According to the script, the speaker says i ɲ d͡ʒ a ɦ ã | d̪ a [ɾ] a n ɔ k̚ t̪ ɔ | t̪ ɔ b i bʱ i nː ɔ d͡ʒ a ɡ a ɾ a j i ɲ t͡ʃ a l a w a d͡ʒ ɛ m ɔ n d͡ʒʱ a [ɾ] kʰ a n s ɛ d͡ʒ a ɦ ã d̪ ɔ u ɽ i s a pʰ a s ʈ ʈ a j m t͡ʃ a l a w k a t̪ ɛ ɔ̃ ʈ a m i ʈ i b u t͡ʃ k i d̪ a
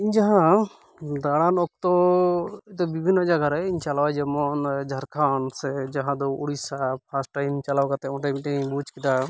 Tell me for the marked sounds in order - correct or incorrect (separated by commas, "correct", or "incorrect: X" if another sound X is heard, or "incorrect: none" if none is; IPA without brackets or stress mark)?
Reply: incorrect: ɽ, correct